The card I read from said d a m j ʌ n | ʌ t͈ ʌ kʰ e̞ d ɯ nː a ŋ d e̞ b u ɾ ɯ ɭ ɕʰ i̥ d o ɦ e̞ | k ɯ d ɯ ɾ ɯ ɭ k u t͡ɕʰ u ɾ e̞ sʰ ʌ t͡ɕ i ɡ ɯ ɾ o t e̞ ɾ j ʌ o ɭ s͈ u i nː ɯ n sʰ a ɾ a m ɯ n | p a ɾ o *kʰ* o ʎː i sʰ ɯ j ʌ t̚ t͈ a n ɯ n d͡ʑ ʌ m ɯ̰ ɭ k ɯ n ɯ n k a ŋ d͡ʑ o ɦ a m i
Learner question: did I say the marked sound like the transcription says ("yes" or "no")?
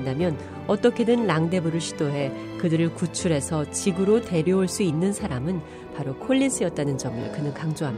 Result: yes